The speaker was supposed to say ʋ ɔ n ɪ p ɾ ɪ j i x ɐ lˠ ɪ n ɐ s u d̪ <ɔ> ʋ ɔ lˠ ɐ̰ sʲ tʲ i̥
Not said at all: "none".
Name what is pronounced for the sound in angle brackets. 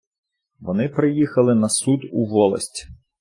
u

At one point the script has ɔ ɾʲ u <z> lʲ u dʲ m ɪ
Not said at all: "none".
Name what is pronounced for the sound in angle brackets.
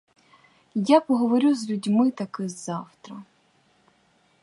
z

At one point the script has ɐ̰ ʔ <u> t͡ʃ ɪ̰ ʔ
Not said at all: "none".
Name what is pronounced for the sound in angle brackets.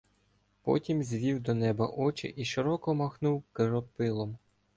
ɔ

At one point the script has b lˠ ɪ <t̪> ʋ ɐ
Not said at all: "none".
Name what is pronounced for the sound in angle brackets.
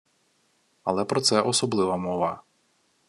none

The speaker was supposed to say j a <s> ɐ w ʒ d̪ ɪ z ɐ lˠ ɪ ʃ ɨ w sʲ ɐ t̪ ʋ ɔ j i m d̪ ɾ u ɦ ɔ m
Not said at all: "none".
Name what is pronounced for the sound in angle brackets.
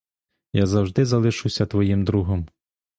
z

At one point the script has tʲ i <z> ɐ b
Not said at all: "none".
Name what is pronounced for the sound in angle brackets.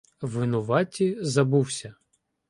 z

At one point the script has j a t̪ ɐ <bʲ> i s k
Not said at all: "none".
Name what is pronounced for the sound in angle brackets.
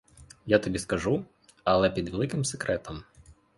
bʲ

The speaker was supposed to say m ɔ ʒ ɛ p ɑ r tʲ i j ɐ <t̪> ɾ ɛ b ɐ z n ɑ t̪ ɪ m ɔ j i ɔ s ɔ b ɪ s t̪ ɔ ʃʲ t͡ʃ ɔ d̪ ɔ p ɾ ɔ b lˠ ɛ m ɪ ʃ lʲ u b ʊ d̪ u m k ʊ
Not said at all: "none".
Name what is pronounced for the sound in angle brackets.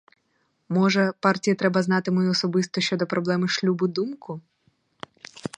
t̪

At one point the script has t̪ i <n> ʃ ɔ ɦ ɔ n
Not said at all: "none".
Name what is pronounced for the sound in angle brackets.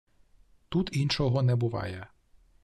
n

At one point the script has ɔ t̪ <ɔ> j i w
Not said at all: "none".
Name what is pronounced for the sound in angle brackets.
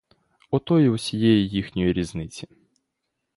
ɔ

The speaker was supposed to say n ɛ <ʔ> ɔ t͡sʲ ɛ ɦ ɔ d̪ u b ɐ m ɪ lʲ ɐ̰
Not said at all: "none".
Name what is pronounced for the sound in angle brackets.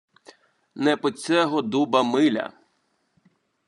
p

